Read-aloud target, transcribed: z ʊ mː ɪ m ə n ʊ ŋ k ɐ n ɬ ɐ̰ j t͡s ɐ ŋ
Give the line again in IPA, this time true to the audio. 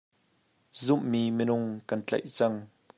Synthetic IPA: z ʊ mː i m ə n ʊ ŋ k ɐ n t͡ɬ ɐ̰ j t͡s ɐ ŋ